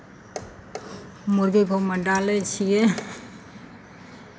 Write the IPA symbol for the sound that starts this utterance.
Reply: m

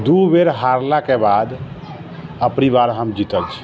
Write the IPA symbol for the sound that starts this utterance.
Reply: d̪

